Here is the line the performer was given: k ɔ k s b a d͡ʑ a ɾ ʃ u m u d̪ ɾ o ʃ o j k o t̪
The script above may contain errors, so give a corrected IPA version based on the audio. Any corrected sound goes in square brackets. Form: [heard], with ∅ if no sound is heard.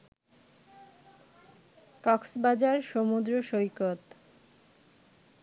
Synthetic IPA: k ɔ k s b a d͡ʑ a ɾ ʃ [o] m u d̪ ɾ o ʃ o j k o t̪